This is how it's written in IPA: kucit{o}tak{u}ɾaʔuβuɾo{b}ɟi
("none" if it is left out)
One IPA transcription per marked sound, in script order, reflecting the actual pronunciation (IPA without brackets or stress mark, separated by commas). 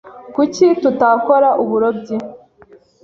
u, o, b